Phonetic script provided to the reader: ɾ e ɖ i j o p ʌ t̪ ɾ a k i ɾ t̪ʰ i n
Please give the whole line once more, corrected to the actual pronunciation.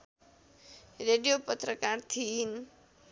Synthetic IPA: ɾ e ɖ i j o p ə t̪ ɾ ə k a ɾ t̪ʰ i n